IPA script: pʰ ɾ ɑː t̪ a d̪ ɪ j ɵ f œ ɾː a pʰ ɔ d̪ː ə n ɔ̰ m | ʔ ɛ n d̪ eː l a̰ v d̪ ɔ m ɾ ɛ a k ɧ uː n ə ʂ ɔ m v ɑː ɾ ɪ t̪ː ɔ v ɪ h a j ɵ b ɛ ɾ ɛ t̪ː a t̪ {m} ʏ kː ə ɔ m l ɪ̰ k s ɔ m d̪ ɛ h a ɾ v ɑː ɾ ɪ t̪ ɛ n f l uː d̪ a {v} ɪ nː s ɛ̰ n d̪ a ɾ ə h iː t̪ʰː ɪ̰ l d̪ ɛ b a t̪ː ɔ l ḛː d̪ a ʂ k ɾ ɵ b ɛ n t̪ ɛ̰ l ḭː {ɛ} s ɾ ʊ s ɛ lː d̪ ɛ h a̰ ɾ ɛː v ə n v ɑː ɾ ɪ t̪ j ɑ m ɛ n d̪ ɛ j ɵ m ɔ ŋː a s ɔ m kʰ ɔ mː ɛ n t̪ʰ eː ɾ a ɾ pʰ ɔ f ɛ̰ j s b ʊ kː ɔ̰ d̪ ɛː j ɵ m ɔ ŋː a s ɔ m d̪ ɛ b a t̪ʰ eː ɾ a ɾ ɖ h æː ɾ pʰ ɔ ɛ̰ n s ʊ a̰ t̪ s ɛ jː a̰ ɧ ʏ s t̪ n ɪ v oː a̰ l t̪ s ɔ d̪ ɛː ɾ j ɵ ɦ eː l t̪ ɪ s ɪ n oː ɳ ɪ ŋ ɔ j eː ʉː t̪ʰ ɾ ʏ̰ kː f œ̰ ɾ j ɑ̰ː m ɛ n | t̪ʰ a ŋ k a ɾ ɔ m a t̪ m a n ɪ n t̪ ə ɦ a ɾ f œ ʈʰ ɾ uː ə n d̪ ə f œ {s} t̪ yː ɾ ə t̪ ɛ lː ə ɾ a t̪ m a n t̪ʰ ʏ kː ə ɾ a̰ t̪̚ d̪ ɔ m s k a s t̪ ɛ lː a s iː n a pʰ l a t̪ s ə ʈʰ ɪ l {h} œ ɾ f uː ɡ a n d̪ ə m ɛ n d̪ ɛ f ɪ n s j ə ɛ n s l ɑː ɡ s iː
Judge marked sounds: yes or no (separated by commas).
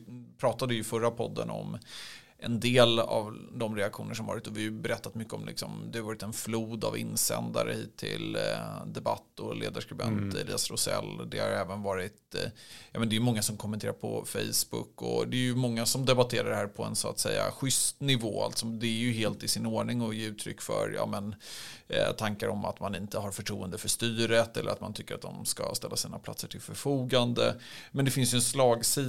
yes, yes, no, no, no